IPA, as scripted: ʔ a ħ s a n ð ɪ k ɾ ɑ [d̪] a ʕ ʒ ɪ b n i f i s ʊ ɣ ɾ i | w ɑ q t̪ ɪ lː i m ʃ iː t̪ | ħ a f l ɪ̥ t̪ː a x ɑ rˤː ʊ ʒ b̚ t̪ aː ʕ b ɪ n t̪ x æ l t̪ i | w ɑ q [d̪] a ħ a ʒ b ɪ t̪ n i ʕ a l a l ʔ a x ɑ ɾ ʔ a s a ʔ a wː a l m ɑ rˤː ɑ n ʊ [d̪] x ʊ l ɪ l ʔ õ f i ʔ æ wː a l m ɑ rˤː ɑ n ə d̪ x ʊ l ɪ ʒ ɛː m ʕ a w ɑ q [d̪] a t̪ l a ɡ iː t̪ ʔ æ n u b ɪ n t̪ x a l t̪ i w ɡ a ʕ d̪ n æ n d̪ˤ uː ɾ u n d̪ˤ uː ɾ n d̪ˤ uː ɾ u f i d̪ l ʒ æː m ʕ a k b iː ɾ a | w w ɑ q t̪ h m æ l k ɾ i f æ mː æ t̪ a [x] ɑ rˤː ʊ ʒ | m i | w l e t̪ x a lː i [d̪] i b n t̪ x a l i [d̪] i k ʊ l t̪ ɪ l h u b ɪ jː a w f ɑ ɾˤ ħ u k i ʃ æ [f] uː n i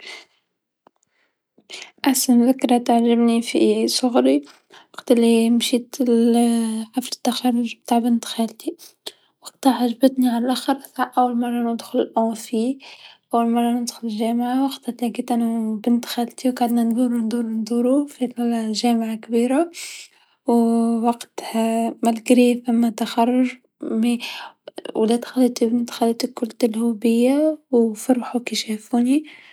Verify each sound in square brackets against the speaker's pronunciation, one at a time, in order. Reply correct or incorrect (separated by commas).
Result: incorrect, incorrect, correct, incorrect, correct, incorrect, incorrect, correct